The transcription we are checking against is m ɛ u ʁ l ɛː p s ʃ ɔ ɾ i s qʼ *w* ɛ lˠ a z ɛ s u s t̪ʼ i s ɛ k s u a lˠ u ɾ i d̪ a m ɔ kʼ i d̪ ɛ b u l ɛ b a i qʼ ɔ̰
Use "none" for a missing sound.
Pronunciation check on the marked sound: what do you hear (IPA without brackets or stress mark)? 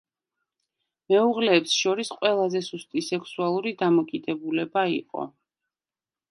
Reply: w